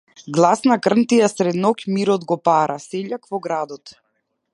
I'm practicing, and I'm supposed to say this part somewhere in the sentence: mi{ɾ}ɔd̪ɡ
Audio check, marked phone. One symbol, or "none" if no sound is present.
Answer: ɾ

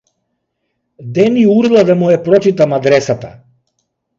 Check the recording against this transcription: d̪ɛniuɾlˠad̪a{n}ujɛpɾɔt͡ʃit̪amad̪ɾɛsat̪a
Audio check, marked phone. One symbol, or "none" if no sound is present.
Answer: m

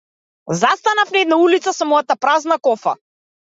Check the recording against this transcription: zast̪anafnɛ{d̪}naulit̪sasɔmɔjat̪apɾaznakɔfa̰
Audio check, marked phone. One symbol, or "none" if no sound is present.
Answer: d̪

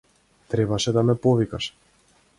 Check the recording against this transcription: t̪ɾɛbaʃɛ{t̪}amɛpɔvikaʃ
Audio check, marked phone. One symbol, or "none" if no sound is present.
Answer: d̪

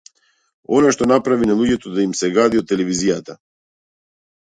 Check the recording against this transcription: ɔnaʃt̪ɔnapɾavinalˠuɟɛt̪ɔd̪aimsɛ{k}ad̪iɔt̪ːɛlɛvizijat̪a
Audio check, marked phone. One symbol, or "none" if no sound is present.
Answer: ɡ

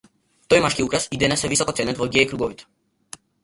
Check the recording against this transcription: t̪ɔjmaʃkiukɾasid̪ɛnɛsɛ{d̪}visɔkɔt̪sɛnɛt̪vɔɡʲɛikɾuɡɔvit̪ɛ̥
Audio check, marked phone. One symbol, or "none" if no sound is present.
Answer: none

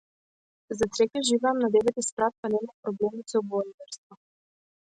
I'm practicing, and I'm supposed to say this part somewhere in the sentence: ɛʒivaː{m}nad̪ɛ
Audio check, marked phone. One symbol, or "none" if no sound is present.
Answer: m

